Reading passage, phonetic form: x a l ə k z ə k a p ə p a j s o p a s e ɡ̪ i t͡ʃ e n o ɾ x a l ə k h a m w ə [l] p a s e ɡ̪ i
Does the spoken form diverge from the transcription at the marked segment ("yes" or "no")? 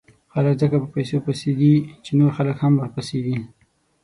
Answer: yes